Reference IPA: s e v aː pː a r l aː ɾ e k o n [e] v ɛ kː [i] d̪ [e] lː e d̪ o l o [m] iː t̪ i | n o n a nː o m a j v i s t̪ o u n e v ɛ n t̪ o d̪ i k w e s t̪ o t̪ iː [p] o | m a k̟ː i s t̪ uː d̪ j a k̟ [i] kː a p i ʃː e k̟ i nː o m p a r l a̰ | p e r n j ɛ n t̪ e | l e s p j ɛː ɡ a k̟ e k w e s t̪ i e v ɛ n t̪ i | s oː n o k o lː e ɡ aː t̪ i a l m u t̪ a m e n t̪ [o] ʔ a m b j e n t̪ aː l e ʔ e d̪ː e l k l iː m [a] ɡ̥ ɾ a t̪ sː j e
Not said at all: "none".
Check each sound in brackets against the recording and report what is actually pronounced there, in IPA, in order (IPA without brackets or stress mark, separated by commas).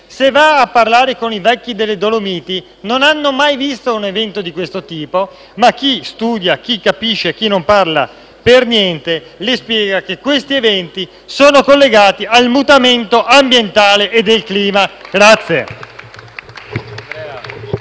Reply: i, i, e, m, p, i, o, a